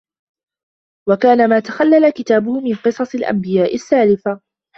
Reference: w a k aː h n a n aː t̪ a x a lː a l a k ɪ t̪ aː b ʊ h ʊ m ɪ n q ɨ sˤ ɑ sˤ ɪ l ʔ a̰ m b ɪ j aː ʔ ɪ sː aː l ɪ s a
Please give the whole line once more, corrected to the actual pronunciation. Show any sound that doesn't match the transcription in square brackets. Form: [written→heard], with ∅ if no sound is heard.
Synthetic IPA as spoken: w a k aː [h→∅] n a [n→m] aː t̪ a x a lː a l a k ɪ t̪ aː b ʊ h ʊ m ɪ n q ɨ sˤ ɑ sˤ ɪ l ʔ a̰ m b ɪ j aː ʔ ɪ sː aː l ɪ [s→f] a